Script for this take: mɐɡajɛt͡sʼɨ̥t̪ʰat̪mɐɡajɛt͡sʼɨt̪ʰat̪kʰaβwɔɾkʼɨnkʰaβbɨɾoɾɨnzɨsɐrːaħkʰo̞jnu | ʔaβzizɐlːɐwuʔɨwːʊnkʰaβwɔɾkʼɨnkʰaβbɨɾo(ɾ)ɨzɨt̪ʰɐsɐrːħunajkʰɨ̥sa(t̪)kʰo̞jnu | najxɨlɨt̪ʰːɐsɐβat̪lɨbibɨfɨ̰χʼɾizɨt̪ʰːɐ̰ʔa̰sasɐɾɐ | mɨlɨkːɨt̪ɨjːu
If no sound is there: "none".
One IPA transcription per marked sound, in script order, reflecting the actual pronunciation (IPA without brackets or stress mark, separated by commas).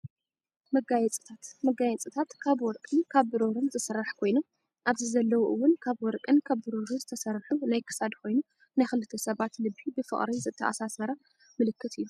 ɾ, d̪